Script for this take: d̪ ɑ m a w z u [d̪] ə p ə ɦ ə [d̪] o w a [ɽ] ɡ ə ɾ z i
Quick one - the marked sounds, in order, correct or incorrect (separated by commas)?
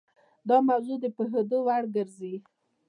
correct, correct, correct